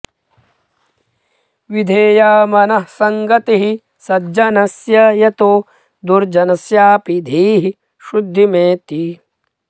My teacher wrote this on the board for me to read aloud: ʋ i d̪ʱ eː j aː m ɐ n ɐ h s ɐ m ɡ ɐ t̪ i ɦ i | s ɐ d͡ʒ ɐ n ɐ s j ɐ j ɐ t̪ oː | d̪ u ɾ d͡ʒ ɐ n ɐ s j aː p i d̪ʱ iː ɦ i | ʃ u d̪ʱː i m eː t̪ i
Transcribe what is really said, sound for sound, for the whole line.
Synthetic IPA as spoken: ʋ i d̪ʱ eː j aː m ɐ n ɐ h s ɐ ŋ ɡ ɐ t̪ i ɦ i | s ɐ d͡ʒ ɐ n ɐ s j ɐ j ɐ t̪ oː | d̪ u ɾ d͡ʒ ɐ n ɐ s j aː p i d̪ʱ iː ɦ i | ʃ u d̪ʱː i m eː t̪ i